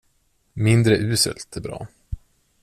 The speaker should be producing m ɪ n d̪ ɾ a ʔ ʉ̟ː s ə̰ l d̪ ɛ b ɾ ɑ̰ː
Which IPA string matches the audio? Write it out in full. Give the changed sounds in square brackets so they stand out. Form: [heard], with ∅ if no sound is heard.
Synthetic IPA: m ɪ n d̪ ɾ [ə] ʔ ʉ̟ː s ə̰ l [t̪] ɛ b ɾ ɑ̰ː